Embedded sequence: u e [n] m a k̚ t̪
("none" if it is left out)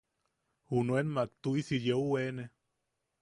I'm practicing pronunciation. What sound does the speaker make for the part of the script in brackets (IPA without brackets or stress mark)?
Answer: n